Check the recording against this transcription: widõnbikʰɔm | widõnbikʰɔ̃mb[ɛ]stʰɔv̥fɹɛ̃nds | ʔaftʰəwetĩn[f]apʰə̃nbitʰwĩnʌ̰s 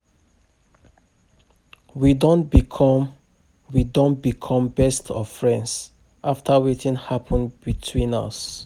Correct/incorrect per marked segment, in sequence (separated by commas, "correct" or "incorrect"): correct, incorrect